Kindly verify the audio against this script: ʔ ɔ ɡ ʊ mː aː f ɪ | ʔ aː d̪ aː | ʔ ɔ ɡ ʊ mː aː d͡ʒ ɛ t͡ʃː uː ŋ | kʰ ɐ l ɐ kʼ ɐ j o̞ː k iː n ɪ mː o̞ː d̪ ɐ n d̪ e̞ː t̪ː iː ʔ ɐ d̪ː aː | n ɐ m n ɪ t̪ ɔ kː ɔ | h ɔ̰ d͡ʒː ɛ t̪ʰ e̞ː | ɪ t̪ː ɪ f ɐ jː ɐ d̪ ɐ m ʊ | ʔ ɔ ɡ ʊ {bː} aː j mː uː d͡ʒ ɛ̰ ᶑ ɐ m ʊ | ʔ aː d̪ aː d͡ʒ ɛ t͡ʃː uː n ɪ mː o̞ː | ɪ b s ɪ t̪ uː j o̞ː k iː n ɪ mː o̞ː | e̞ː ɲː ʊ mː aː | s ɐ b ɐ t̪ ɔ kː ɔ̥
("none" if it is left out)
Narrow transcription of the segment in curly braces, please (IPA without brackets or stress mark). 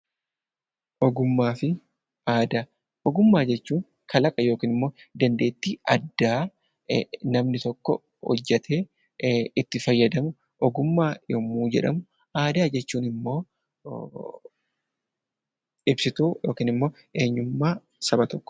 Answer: mː